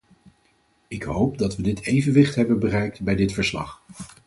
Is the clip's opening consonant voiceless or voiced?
voiceless